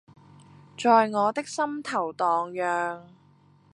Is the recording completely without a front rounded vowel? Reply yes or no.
no